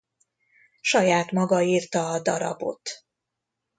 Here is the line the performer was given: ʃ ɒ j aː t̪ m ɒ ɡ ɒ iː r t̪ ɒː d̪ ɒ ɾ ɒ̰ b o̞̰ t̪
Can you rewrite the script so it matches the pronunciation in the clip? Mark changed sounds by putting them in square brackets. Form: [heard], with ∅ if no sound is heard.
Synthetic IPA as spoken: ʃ ɒ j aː t̪ m ɒ ɡ ɒ iː r t̪ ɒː d̪ ɒ ɾ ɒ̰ b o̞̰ t̪